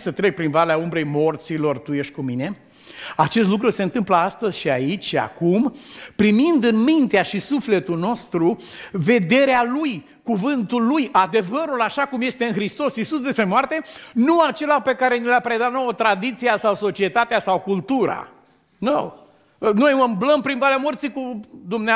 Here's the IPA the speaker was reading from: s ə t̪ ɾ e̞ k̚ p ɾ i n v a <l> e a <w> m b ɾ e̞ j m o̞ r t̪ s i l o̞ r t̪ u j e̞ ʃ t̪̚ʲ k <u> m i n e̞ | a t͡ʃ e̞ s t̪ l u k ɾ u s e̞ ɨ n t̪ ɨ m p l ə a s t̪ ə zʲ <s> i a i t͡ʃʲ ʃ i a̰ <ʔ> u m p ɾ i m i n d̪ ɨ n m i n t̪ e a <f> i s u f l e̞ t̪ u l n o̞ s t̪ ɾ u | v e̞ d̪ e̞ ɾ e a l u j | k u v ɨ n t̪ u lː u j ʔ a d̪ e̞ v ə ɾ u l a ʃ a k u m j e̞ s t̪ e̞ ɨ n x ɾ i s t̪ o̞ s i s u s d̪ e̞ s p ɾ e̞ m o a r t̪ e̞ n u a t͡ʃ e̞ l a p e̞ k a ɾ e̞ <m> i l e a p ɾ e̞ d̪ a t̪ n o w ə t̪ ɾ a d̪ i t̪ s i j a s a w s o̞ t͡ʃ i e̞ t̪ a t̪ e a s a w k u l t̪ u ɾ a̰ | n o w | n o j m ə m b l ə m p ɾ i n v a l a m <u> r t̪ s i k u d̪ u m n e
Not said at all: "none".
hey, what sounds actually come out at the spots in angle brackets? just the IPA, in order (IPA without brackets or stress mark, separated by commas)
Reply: l, u, u, ʃ, k, ʃ, n, o